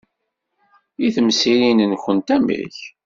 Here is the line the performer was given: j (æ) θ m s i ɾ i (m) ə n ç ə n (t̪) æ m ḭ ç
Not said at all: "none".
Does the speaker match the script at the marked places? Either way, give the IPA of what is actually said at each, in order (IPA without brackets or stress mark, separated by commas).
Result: i, n, t̪